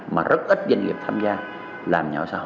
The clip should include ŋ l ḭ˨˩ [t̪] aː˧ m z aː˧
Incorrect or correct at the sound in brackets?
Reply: incorrect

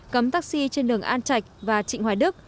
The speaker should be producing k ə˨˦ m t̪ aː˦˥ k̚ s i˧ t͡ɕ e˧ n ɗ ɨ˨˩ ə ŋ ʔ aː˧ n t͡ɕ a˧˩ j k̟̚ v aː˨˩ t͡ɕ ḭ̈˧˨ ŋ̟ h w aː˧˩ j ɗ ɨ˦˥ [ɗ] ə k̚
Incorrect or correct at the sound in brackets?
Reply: incorrect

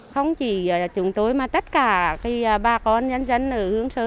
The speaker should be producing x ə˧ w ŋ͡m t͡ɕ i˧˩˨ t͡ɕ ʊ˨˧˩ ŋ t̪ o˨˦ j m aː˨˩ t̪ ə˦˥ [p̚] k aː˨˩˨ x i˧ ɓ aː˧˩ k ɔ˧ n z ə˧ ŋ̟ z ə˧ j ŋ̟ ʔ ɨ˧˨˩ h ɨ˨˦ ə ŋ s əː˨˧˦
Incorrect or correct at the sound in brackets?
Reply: incorrect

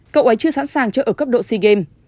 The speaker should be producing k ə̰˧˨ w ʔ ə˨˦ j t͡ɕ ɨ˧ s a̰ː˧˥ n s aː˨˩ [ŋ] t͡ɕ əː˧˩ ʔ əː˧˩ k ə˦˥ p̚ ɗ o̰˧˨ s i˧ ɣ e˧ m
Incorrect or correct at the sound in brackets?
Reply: correct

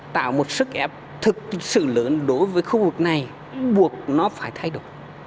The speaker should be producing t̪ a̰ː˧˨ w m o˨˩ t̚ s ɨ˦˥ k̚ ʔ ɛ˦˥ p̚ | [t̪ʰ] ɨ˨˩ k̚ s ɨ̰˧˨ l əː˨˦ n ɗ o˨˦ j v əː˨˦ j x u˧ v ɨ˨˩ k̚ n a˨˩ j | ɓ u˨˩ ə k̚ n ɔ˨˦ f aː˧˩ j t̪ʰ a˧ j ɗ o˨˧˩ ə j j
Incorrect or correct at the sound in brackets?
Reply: correct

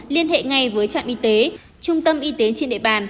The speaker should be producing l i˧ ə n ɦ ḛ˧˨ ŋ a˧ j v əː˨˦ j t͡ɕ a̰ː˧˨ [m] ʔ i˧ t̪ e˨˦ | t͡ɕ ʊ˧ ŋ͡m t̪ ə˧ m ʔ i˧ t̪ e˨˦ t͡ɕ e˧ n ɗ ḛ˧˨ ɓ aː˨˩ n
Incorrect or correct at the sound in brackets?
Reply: incorrect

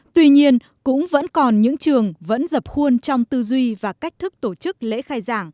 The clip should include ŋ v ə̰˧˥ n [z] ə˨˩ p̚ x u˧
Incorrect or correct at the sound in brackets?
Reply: correct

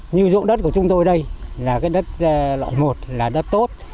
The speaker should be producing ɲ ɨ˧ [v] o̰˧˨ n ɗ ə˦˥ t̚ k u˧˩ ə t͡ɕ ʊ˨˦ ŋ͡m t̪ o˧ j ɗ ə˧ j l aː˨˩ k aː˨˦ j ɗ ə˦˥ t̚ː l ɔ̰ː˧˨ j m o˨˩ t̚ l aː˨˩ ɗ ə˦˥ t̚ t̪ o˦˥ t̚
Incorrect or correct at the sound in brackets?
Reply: incorrect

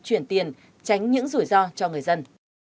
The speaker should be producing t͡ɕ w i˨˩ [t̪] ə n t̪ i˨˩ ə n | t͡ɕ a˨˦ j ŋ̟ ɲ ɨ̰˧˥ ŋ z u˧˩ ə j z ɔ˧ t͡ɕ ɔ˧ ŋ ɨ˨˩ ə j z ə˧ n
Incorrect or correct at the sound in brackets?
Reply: incorrect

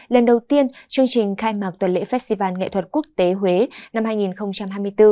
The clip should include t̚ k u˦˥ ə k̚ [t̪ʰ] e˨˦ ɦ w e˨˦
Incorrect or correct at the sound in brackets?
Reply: incorrect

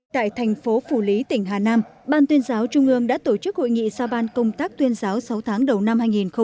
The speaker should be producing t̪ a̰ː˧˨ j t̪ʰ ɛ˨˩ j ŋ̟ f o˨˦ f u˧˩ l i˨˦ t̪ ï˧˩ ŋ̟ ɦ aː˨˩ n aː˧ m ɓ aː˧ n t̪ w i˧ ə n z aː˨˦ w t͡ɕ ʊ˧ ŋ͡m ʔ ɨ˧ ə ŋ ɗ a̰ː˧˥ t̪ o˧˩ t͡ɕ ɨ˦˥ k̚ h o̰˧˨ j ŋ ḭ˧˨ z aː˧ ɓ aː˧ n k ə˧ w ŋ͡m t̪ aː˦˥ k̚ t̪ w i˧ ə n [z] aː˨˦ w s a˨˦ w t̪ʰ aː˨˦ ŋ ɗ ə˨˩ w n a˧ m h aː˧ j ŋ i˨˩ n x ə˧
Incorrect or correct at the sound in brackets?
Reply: correct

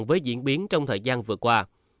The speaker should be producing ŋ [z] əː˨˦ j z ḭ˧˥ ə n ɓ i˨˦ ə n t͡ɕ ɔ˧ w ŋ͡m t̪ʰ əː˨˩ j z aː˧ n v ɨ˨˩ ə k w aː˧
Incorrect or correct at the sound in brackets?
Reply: incorrect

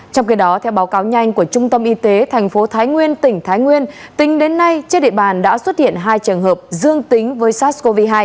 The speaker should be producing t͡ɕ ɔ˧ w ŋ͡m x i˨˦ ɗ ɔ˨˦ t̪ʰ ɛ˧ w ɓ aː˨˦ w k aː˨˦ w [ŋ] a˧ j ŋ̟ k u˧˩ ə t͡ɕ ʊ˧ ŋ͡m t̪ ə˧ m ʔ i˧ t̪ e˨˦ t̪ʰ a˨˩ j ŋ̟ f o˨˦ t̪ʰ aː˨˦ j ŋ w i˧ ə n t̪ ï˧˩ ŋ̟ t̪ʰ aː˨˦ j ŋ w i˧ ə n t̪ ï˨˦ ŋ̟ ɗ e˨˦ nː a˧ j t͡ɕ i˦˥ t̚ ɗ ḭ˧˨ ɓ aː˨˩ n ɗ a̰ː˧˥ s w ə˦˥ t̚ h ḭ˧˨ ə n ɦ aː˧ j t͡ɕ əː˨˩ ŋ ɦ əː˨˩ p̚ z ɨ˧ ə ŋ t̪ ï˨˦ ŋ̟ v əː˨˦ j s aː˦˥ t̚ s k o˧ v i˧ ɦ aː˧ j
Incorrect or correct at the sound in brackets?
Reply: incorrect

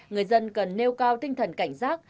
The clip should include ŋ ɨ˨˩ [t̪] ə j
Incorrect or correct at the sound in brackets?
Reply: incorrect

